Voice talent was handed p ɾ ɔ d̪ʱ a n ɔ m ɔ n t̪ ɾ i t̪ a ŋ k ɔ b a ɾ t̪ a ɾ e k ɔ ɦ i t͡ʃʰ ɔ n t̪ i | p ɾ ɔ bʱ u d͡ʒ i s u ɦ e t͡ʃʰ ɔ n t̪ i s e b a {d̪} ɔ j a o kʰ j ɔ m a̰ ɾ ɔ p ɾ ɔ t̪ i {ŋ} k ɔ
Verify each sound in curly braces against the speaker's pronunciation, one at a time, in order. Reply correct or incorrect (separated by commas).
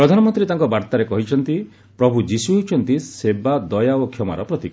correct, incorrect